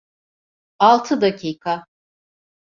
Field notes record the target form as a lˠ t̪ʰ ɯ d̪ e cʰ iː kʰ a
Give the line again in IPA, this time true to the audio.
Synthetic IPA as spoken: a lˠ t̪ʰ ɯ d̪ a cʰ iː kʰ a